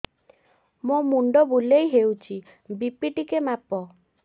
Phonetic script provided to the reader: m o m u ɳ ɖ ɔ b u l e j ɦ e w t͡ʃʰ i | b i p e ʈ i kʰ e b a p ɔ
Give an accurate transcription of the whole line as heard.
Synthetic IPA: m o m u ɳ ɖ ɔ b u l e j ɦ e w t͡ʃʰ i | b i p i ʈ i k e m a p ɔ